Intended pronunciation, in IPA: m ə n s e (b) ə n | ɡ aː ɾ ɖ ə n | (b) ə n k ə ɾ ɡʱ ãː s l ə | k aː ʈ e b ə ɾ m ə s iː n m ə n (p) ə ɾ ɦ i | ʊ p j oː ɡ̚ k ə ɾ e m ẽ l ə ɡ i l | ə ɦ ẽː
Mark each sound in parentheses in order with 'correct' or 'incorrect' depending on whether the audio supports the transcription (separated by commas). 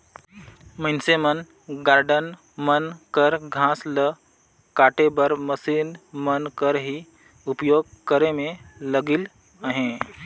incorrect, incorrect, incorrect